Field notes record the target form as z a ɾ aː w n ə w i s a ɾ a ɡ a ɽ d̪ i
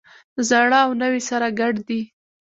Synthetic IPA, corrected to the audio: z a ɽ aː w n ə w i s a ɾ a ɡ a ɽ d̪ i